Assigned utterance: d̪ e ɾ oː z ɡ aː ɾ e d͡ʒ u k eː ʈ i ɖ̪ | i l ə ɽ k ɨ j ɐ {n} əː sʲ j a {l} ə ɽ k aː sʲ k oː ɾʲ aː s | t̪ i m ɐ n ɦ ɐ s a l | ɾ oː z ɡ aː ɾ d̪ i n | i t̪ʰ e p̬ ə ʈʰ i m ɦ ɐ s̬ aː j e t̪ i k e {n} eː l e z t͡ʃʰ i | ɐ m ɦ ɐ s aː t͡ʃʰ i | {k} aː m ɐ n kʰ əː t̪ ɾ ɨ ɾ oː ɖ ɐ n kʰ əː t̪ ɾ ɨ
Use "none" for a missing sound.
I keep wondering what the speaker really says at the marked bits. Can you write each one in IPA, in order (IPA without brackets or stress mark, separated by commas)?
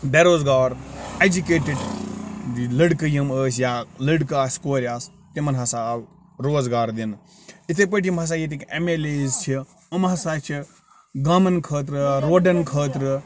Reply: m, l, m, ɡ